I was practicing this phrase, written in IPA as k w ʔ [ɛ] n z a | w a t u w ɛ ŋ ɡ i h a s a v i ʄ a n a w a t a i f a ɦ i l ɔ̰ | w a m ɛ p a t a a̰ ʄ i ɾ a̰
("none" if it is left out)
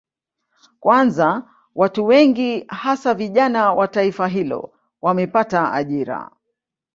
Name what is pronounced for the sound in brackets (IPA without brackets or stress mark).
a